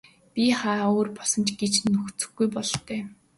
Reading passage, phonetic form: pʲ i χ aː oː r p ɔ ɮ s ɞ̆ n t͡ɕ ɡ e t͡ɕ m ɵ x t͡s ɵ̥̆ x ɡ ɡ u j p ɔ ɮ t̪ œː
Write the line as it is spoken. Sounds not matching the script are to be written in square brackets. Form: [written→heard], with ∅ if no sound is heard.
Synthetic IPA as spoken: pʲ i χ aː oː r p ɔ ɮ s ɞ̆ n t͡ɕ ɡ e t͡ɕ [m→n] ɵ x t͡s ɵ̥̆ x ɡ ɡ u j p ɔ ɮ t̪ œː